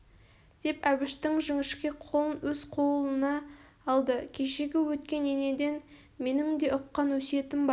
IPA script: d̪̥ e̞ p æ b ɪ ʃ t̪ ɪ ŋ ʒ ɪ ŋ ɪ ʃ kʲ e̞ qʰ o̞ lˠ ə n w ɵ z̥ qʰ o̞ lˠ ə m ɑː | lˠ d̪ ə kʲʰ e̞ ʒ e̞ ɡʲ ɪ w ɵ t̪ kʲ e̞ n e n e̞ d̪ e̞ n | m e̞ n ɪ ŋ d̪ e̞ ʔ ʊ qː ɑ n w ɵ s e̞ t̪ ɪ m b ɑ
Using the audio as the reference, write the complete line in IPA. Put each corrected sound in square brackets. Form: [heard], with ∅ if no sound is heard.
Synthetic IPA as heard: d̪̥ e̞ p æ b ɪ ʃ t̪ ɪ ŋ ʒ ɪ ŋ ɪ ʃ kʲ e̞ qʰ o̞ lˠ ə n w ɵ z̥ qʰ o̞ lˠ ə [n] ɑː | lˠ d̪ ə kʲʰ e̞ [ʃ] e̞ ɡʲ ɪ w ɵ t̪ kʲ e̞ n e n e̞ d̪ e̞ n | m e̞ n ɪ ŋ d̪ e̞ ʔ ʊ qː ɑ n w ɵ s e̞ t̪ ɪ m b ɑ